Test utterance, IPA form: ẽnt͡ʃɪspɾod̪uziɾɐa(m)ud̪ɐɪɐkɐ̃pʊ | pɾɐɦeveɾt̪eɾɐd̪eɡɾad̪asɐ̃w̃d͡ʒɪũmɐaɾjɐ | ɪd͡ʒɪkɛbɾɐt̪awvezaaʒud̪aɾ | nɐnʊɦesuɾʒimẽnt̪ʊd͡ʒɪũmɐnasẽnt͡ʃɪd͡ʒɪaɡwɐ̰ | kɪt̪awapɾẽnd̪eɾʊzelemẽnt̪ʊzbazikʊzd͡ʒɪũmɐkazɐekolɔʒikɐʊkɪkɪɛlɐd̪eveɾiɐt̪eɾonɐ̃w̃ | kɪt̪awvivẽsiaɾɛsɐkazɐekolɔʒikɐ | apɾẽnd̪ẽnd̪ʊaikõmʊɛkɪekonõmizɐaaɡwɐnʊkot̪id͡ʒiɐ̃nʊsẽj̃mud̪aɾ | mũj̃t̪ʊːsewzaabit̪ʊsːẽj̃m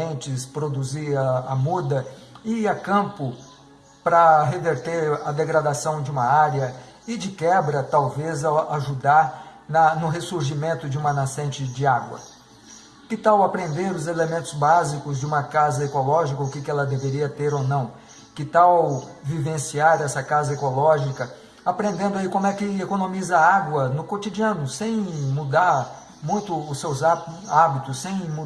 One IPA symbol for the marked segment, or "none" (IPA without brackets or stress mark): m